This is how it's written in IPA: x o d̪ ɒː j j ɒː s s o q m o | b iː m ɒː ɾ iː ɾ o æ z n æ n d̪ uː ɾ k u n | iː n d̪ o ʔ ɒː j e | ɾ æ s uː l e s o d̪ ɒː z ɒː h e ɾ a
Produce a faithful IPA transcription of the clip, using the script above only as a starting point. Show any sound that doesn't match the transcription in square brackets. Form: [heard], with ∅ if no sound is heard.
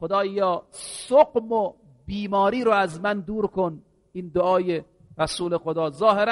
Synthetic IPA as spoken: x o d̪ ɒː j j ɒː s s o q m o | b iː m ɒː ɾ iː ɾ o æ z [m] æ n d̪ uː ɾ k [o] n | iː n d̪ o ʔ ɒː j e | ɾ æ s uː l e [x] o d̪ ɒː z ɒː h e ɾ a